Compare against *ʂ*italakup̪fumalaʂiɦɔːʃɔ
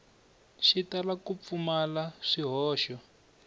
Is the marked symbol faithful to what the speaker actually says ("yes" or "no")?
no